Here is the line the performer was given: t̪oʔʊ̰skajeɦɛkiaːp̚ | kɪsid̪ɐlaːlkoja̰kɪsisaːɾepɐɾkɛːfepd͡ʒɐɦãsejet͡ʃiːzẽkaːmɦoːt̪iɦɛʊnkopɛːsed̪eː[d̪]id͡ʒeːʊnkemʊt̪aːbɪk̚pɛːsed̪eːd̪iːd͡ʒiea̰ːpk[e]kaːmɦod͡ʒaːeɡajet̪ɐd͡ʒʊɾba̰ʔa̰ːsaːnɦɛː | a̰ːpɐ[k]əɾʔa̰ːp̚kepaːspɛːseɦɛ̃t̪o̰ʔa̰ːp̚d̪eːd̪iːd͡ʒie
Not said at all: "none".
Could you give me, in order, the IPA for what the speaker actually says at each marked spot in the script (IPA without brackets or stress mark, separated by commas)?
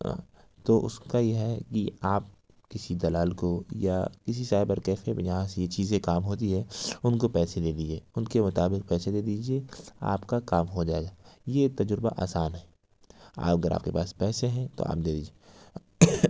d̪, a, ɡ